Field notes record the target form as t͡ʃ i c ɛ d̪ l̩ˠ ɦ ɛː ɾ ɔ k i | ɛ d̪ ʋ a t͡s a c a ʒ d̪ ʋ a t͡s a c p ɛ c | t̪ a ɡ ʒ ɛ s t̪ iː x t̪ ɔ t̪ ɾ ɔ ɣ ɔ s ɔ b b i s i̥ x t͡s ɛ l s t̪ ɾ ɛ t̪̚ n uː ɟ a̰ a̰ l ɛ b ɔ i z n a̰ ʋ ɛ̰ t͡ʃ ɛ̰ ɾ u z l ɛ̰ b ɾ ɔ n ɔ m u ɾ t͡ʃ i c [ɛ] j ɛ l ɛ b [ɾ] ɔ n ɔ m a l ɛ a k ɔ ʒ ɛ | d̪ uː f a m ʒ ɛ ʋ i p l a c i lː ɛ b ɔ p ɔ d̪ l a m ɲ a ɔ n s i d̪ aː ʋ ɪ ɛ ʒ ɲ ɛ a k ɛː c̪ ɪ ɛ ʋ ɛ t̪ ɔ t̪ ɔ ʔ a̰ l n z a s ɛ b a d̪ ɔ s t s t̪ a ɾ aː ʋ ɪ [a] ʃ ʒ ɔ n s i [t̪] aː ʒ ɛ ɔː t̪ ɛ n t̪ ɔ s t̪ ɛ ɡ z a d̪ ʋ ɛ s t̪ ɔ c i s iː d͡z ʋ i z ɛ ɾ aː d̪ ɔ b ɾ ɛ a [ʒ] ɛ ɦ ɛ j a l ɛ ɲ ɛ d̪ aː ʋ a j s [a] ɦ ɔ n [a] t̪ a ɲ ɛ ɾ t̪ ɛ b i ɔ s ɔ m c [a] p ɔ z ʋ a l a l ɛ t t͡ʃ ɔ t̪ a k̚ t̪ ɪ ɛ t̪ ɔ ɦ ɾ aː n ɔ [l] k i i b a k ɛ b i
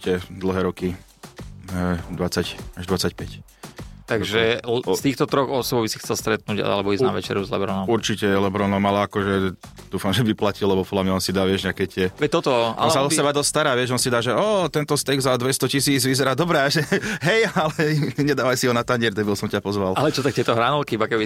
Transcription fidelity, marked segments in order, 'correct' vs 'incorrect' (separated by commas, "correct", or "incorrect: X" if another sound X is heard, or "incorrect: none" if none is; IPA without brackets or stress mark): correct, correct, incorrect: ɛ, incorrect: d̪, correct, incorrect: i, correct, correct, correct